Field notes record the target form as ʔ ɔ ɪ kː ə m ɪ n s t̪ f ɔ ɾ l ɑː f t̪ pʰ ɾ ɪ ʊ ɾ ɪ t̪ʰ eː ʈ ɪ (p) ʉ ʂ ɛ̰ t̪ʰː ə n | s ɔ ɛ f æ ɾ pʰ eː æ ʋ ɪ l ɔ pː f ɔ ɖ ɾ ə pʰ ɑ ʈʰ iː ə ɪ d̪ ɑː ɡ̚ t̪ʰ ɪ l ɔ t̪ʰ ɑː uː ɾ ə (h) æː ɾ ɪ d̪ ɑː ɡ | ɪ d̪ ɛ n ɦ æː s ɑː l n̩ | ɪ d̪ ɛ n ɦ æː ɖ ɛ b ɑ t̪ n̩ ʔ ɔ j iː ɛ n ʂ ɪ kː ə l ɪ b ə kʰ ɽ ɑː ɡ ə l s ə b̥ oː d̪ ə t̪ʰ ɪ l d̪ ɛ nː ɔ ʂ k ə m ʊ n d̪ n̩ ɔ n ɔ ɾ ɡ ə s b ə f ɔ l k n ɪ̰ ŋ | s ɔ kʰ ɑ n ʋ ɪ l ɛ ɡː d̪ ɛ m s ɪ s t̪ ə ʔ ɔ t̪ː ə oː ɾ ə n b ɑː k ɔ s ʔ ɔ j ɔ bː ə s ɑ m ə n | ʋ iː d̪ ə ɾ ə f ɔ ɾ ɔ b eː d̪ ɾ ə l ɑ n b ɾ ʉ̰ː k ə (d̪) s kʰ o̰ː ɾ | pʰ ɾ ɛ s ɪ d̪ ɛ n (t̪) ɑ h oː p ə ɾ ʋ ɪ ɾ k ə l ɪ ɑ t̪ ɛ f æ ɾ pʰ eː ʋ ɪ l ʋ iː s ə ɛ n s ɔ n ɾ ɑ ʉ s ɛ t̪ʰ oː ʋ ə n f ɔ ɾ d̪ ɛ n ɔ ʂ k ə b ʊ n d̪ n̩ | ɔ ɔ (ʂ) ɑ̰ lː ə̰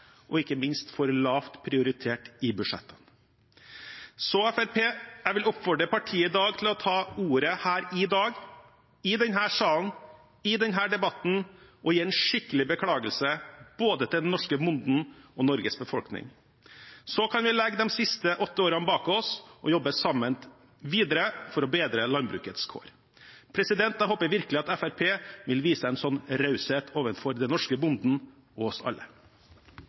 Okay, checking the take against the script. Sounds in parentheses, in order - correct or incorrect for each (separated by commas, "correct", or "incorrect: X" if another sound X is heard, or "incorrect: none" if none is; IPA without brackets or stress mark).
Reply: incorrect: b, correct, incorrect: t̪, correct, incorrect: s